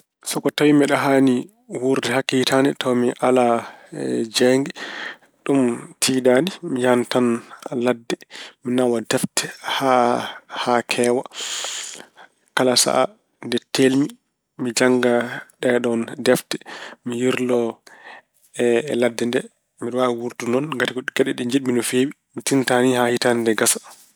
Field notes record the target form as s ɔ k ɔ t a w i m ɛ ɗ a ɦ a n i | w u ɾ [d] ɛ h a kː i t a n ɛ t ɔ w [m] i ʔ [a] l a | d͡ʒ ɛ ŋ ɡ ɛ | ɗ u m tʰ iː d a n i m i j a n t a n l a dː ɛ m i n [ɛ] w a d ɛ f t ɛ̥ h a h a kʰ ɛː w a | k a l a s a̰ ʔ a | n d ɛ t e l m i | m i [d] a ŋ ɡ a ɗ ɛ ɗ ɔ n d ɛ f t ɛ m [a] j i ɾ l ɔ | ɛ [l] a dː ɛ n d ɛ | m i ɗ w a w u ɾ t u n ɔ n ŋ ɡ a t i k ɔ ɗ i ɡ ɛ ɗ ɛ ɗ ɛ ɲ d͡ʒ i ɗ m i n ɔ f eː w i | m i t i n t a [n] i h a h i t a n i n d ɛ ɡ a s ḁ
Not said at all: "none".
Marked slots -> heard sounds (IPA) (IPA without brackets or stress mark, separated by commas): d, m, a, a, d͡ʒ, i, l, n